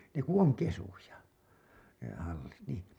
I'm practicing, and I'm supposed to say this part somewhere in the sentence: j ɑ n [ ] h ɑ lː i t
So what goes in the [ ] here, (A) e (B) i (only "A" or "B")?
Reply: A